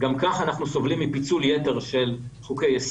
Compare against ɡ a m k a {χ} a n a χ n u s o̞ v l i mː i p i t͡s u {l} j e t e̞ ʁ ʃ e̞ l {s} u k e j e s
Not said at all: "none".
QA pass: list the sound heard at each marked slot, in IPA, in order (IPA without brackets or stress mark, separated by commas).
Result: χ, l, χ